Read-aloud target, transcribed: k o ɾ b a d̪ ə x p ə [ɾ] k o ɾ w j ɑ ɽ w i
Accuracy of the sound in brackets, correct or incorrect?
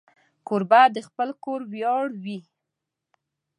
incorrect